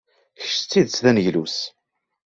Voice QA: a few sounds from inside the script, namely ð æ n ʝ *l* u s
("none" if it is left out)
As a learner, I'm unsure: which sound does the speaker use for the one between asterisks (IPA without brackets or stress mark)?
l